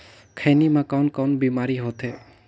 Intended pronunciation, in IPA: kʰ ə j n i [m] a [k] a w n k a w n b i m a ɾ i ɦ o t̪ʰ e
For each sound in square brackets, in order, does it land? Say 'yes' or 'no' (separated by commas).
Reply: yes, yes